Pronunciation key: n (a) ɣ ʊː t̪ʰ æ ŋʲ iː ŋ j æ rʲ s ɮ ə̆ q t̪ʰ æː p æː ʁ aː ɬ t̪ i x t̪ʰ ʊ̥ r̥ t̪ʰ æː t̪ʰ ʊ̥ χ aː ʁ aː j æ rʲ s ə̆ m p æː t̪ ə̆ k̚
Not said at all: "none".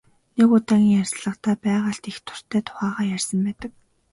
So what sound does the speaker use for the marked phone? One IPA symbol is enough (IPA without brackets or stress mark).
e